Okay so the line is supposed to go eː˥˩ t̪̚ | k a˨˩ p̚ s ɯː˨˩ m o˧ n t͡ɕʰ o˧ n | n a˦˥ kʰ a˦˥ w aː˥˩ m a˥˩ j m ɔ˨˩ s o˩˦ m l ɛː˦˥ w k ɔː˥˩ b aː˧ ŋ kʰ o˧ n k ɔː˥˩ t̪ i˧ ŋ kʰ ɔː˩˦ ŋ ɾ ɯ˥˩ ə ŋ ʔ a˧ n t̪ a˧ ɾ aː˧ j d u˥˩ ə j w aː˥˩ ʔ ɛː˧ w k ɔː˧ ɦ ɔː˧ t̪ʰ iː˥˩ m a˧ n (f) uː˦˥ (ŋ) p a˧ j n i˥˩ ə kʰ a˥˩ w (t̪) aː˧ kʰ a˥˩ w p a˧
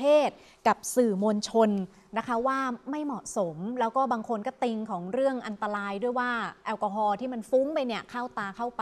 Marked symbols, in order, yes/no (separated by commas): yes, yes, yes